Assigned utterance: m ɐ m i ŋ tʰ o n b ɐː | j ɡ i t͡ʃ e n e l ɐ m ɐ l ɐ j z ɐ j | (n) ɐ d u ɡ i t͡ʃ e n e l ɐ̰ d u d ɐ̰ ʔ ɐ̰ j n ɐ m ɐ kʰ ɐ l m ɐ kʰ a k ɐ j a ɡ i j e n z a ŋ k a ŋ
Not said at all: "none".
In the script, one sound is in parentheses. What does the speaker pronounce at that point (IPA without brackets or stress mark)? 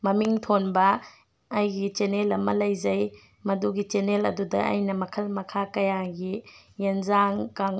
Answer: m